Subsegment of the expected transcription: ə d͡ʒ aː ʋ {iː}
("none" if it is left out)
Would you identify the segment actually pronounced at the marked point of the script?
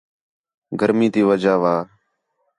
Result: aː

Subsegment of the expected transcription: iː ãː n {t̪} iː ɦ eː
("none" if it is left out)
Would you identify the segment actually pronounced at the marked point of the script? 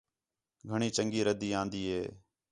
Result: d̪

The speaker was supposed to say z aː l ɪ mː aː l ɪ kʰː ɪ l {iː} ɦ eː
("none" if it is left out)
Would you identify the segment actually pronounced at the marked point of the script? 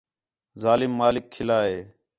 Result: aː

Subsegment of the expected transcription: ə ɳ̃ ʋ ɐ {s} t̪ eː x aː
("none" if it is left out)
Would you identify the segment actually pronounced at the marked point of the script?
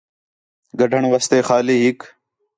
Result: s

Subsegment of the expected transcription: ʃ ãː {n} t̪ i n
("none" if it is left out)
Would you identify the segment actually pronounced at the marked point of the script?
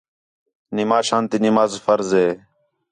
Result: n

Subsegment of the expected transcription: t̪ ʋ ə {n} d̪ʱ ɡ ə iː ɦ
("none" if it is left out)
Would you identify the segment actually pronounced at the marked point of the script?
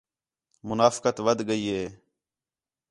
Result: none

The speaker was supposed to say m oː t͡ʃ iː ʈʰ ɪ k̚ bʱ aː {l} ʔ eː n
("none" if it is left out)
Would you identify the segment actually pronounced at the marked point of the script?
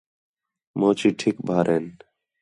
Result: ɾ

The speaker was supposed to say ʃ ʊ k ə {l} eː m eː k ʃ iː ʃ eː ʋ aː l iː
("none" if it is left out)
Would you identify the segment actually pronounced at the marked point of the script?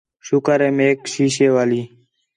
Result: ɾ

